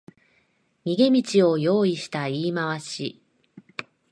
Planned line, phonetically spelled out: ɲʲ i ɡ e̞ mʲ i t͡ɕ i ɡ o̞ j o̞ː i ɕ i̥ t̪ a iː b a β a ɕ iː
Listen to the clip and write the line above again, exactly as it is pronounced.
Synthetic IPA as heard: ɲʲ i ɡ e̞ mʲ i t͡ɕ i o̞ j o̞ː i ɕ i̥ t̪ a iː m a β a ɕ i